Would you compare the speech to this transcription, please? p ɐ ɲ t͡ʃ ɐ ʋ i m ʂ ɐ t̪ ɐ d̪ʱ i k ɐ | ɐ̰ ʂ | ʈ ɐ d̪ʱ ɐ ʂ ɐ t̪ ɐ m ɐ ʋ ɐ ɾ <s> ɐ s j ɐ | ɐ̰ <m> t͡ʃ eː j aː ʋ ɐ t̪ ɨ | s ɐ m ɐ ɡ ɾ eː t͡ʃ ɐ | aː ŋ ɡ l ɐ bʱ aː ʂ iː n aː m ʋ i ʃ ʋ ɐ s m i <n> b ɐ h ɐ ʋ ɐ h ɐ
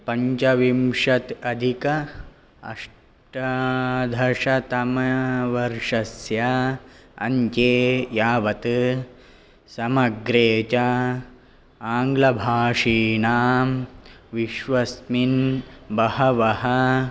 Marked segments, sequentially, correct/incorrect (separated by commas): incorrect, incorrect, correct